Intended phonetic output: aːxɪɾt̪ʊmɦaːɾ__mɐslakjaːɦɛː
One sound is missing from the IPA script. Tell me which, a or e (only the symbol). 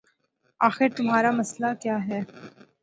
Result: a